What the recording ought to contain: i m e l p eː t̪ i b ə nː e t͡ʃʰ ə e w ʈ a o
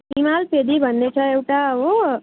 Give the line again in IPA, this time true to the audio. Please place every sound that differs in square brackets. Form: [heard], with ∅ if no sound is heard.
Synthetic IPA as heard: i m [a] l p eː [d̪] i b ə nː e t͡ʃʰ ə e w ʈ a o